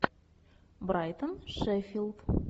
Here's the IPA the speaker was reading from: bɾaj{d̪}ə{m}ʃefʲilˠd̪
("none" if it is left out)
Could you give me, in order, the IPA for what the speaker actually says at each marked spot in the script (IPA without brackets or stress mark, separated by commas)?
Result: t̪, n